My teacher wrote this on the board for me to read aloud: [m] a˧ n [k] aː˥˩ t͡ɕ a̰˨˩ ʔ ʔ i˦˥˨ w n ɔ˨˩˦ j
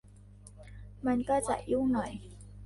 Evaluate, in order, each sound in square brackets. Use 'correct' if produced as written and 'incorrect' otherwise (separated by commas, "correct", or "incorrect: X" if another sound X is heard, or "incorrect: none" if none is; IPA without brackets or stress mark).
correct, correct